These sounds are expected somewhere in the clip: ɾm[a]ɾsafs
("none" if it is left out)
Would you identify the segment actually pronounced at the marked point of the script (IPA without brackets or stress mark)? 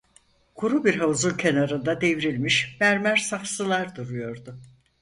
æ